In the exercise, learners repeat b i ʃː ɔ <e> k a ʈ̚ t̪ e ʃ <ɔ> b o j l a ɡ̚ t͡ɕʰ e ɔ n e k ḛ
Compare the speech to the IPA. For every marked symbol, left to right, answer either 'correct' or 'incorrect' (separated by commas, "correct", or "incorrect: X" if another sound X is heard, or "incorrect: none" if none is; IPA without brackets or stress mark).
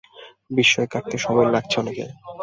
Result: correct, correct